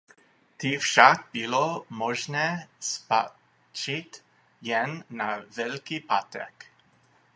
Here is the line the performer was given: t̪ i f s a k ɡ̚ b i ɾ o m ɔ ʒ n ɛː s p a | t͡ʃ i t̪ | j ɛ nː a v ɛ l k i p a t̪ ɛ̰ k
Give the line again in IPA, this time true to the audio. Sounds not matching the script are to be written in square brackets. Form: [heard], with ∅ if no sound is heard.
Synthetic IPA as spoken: t̪ i f [ʃ] a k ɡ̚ b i [l] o m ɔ ʒ n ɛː s p a | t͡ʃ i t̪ | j ɛ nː a v ɛ l k i p a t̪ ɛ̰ k